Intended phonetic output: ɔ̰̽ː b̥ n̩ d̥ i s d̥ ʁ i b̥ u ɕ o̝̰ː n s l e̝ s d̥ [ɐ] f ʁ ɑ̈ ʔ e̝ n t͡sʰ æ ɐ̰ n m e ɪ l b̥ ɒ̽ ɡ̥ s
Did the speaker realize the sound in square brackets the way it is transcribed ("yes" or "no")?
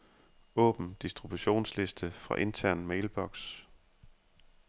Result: no